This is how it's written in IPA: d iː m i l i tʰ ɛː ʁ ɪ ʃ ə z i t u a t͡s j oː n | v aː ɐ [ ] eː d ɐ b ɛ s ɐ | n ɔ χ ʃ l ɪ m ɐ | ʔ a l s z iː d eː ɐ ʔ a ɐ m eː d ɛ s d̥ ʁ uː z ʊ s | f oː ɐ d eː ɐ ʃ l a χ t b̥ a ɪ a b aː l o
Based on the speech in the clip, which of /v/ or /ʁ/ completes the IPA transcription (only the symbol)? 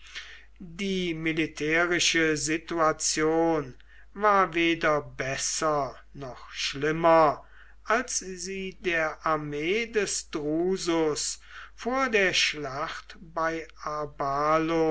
v